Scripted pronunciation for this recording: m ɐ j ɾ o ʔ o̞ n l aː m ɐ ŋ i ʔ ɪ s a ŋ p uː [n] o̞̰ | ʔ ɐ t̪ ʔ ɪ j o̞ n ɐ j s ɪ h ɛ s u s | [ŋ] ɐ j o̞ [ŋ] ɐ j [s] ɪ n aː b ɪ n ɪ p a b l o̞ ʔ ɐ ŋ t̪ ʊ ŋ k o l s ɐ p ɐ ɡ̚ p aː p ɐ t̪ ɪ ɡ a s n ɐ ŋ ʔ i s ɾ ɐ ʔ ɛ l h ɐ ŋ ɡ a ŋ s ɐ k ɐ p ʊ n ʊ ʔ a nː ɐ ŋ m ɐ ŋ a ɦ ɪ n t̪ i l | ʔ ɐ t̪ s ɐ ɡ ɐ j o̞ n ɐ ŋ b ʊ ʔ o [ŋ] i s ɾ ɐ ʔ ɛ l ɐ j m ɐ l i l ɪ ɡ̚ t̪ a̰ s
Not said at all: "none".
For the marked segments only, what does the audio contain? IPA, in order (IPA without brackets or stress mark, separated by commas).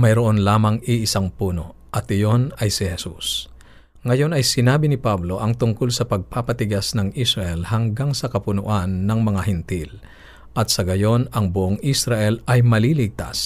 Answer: n, ŋ, n, s, ŋ